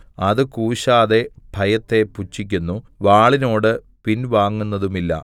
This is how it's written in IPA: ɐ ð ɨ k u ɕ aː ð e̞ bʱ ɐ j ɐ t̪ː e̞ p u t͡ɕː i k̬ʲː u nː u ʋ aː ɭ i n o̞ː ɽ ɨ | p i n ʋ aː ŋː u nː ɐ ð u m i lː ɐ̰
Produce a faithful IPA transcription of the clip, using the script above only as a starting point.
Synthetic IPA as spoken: ɐ ð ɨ k uː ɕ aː ð e̞ bʱ ɐ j ɐ t̪ː e̞ p u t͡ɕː i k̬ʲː u nː u ʋ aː ɭ i n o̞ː ɽ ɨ | p i n ʋ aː ŋː u nː ɐ ð u m i lː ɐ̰